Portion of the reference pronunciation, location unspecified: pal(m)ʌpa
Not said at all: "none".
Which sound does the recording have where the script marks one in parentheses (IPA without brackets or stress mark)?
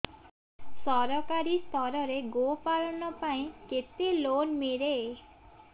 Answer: n